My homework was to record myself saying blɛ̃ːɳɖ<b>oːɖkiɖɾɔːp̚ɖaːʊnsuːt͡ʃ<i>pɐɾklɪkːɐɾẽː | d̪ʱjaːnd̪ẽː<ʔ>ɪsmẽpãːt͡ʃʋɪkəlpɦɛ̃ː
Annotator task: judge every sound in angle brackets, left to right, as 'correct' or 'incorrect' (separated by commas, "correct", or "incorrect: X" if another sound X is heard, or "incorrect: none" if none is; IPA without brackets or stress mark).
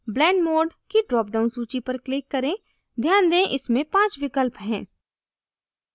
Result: incorrect: m, correct, correct